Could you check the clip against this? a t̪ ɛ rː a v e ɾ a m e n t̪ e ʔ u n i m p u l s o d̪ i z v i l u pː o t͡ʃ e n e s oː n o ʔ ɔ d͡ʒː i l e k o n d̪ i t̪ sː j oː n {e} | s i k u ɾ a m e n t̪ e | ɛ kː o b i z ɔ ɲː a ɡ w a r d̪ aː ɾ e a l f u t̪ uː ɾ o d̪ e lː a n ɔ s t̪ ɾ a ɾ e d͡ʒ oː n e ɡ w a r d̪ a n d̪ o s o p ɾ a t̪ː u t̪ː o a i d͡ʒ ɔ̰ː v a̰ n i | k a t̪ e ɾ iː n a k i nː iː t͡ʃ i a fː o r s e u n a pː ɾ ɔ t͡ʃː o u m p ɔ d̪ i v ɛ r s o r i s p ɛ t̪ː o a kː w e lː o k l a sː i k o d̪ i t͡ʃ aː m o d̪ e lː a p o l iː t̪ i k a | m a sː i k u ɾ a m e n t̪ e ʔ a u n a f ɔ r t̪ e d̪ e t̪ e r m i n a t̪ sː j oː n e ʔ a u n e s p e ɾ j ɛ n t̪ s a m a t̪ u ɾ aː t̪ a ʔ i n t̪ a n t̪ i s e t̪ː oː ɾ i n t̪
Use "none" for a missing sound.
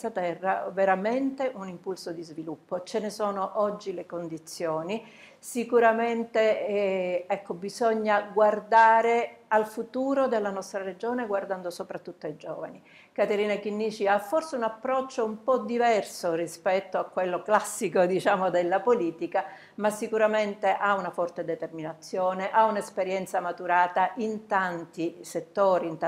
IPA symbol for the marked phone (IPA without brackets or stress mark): i